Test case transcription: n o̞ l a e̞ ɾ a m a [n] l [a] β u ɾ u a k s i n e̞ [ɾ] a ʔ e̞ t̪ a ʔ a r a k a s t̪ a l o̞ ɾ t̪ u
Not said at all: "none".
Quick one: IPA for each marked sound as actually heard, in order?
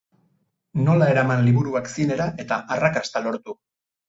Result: n, i, ɾ

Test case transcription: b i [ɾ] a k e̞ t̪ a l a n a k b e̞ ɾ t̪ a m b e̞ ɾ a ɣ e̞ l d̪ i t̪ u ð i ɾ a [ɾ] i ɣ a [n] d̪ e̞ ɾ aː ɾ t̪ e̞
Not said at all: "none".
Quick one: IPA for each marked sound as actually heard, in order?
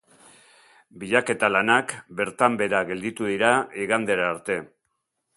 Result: ʎ, none, n

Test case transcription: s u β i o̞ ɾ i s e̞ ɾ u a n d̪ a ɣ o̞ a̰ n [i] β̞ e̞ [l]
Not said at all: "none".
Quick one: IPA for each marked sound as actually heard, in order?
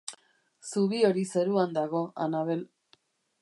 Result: a, l

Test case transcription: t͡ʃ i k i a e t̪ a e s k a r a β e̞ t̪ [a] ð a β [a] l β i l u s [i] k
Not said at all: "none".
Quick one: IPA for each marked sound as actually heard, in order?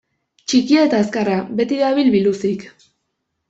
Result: i, i, i

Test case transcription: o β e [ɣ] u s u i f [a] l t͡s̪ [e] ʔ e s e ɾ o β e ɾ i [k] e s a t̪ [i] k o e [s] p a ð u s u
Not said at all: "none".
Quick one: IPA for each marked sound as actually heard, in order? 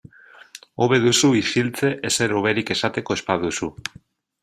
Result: ð, i, e, k, e, s

